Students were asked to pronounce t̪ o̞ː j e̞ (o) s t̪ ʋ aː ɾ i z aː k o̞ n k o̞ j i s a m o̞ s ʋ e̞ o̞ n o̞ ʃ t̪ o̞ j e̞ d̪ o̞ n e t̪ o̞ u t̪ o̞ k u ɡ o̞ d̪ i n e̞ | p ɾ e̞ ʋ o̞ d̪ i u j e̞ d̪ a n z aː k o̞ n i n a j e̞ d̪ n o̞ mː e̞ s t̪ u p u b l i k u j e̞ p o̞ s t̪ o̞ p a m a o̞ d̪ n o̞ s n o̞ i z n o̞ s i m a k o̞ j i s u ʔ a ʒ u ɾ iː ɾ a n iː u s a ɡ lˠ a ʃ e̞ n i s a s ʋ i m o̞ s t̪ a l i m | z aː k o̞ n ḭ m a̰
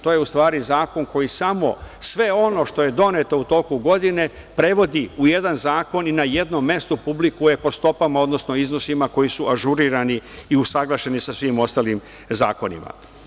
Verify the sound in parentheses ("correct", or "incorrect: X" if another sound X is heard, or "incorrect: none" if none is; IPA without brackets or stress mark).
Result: incorrect: u